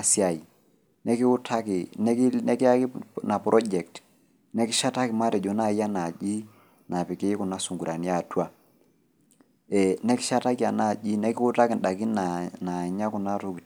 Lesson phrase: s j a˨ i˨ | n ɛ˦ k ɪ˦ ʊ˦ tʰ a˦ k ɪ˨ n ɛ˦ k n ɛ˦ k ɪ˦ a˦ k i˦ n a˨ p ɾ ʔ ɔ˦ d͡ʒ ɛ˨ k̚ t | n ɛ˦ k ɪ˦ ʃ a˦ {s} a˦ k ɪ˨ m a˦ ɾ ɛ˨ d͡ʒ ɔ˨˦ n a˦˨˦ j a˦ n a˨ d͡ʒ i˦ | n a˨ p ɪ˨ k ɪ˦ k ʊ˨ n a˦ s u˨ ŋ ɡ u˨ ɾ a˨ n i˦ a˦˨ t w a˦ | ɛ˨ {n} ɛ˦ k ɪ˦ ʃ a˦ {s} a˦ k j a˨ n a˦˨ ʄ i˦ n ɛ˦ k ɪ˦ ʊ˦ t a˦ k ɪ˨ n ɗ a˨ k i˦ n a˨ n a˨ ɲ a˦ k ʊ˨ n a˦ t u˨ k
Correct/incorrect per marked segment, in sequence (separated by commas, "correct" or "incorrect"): incorrect, correct, incorrect